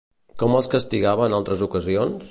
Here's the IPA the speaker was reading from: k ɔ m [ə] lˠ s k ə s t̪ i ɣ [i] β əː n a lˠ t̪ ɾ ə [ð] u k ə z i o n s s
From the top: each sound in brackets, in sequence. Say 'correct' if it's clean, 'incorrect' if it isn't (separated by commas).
correct, incorrect, incorrect